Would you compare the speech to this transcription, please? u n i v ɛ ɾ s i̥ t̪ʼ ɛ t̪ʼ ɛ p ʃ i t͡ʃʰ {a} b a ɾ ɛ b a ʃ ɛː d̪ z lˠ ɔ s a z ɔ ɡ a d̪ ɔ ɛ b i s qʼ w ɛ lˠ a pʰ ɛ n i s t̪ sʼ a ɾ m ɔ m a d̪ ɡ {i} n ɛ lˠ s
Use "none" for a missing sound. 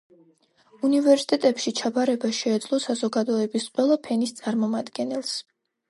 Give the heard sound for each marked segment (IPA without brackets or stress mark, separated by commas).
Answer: a, ɛ